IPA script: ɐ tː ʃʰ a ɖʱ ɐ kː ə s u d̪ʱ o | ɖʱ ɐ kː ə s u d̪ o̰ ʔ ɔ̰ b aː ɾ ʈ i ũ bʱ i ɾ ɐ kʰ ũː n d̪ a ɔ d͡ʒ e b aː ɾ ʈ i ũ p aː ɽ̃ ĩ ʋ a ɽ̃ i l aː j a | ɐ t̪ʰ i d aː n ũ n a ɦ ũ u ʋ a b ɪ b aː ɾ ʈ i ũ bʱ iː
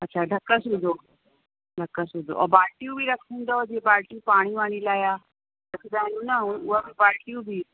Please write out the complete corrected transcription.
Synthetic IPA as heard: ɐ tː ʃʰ a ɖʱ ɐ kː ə s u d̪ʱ o | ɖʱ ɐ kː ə s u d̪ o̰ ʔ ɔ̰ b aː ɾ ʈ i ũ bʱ i ɾ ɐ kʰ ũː n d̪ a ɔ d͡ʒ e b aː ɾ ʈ i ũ p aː ɽ̃ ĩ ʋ a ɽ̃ i l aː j a | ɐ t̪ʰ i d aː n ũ n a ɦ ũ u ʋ a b i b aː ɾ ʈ i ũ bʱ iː